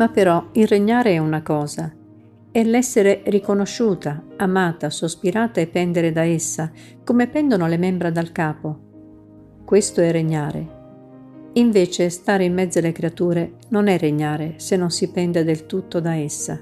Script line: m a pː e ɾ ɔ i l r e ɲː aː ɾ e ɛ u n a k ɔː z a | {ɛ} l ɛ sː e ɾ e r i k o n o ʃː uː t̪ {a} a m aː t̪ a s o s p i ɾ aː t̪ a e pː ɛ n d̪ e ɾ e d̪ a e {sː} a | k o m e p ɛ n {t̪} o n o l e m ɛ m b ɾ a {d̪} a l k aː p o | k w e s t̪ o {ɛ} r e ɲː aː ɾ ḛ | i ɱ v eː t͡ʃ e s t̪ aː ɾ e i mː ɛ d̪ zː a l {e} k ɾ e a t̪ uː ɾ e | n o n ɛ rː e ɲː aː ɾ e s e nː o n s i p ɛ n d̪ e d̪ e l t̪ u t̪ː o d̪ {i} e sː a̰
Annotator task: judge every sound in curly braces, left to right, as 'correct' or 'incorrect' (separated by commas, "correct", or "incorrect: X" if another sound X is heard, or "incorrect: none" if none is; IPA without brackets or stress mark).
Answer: correct, correct, correct, incorrect: d̪, correct, correct, correct, incorrect: a